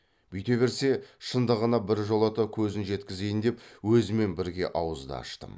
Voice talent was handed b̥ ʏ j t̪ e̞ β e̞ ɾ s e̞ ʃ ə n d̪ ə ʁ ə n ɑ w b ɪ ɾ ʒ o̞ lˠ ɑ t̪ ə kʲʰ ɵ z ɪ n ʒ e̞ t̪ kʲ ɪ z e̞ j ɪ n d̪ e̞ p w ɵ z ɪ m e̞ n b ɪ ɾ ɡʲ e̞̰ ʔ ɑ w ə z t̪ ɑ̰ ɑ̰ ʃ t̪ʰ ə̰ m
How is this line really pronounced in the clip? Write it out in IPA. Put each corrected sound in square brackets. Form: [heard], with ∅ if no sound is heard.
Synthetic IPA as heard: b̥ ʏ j t̪ e̞ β e̞ ɾ s e̞ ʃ ə n d̪ ə ʁ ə n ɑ [∅] b ɪ ɾ ʒ o̞ lˠ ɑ t̪ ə kʲʰ ɵ z ɪ n ʒ e̞ t̪ kʲ ɪ z e̞ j ɪ n d̪ e̞ p w ɵ z ɪ m e̞ n b ɪ ɾ ɡʲ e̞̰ ʔ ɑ w ə z [d̪] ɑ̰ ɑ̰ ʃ [t̪] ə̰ m